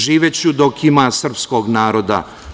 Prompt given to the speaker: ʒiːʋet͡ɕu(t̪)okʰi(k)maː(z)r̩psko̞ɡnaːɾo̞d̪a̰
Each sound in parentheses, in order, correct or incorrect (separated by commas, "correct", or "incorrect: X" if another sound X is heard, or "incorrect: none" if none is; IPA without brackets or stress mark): incorrect: d̪, incorrect: none, incorrect: s